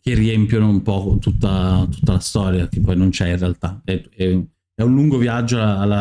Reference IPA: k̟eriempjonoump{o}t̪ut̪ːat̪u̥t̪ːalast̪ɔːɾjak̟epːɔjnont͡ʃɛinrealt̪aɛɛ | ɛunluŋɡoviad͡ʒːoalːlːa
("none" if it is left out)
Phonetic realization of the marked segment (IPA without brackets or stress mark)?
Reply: ɔ